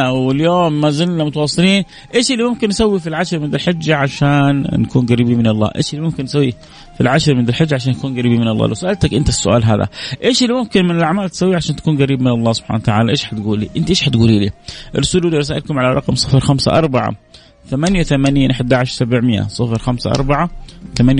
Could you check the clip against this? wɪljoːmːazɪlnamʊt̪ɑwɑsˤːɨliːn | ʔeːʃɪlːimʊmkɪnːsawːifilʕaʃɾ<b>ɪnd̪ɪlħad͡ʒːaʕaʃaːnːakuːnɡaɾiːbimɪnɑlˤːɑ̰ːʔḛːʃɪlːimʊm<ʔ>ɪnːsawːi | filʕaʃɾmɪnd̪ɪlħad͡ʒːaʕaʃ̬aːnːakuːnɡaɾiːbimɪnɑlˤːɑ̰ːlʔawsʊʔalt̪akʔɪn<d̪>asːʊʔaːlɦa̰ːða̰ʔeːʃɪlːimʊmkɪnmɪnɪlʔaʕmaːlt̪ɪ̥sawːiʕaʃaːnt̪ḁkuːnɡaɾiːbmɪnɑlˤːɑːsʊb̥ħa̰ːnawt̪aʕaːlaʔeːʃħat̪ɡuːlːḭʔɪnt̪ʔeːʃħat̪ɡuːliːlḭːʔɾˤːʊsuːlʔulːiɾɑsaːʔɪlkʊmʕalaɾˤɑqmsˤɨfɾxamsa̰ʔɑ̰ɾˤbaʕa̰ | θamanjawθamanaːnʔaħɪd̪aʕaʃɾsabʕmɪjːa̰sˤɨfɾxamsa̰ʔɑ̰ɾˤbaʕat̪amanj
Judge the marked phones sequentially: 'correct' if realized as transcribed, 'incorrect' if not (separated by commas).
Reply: incorrect, incorrect, incorrect